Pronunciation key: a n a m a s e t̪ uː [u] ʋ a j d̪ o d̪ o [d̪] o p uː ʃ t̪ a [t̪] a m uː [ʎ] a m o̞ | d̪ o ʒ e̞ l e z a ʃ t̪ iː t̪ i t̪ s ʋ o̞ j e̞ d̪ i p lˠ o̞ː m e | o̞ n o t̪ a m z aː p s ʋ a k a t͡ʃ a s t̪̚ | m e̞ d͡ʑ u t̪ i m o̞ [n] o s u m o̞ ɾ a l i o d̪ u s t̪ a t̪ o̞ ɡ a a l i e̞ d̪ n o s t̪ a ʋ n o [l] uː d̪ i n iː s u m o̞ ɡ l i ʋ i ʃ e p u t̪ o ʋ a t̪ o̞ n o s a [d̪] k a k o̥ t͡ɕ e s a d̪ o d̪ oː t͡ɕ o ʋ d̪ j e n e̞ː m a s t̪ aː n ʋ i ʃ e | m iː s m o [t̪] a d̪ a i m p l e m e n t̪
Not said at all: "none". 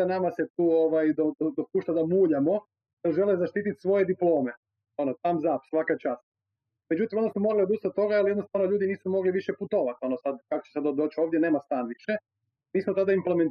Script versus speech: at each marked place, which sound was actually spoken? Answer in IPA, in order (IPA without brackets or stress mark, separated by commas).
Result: o, d̪, d̪, ʎ, n, ʎ, d̪, t̪